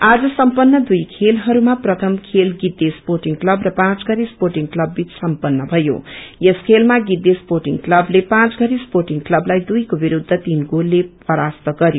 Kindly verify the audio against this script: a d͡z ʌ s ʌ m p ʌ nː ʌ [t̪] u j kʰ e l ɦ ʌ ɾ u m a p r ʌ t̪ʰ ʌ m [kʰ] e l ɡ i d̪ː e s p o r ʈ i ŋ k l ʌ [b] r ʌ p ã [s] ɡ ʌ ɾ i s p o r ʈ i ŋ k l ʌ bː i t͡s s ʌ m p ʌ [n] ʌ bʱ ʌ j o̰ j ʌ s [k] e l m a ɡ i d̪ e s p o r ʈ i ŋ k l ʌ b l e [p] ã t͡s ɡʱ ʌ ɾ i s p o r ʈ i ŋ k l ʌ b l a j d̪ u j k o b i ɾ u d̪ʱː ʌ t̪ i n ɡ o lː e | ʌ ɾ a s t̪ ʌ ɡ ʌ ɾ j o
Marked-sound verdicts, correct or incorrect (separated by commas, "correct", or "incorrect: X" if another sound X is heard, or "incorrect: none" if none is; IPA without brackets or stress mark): incorrect: d̪, correct, correct, incorrect: t͡s, incorrect: nː, incorrect: kʰ, correct